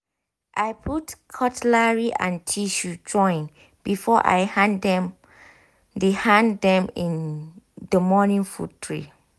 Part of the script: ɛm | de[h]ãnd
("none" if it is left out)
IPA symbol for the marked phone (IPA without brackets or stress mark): h